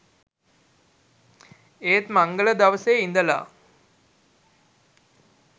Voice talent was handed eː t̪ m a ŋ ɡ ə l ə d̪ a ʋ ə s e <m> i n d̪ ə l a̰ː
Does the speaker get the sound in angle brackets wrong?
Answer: yes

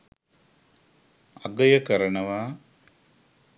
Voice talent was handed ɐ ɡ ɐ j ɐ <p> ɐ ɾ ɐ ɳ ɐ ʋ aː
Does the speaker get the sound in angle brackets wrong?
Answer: yes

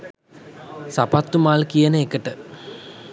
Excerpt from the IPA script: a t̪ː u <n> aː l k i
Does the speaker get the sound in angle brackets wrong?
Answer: yes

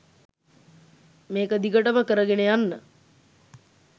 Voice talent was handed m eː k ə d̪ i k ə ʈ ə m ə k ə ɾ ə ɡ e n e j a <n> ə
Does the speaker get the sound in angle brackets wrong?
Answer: yes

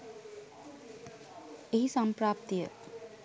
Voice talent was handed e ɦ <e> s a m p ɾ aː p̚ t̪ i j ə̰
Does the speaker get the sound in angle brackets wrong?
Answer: yes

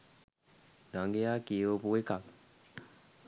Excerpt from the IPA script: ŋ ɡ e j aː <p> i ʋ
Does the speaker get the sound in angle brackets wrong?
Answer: yes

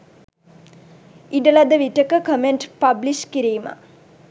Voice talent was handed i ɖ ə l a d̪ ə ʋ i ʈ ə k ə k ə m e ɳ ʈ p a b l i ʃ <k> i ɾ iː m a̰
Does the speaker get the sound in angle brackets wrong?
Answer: no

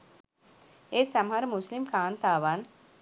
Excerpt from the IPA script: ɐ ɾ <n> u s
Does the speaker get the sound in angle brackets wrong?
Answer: yes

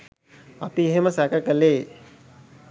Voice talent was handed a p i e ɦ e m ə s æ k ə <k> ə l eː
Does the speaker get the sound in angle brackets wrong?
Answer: no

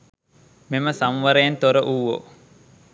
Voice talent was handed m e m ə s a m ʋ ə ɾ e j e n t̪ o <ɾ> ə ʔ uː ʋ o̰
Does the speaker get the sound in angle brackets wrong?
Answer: no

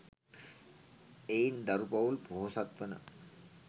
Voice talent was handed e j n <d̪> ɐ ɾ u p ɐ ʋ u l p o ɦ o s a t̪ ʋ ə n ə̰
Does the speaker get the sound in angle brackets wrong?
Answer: no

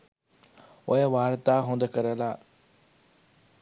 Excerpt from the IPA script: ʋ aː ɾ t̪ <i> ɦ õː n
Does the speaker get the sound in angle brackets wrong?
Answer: yes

